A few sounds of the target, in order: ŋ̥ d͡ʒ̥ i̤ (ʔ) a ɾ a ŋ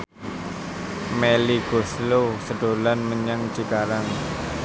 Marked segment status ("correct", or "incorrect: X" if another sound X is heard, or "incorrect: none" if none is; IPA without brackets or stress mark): incorrect: k